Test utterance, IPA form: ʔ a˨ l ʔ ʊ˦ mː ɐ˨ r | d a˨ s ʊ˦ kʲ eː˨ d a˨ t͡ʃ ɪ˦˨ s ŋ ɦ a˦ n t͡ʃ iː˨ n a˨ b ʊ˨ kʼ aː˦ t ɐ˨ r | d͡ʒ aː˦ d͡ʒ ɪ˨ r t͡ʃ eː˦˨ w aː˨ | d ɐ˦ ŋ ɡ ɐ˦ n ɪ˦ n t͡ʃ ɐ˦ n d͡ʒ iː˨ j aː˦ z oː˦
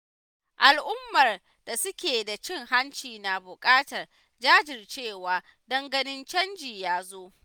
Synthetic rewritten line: ʔ a˨ l ʔ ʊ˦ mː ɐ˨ r | d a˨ s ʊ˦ kʲ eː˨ d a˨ t͡ʃ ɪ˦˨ ŋ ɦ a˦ n t͡ʃ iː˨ n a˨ b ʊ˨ kʼ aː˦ t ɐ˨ r | d͡ʒ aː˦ d͡ʒ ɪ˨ r t͡ʃ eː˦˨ w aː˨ | d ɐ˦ ŋ ɡ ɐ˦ n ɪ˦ n t͡ʃ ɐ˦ n d͡ʒ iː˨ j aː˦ z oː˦